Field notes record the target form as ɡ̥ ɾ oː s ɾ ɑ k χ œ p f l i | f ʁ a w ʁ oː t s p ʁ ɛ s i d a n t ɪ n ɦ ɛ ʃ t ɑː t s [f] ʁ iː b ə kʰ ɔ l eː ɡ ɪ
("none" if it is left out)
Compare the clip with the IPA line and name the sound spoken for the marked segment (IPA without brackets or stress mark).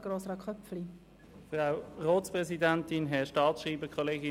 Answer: ʃ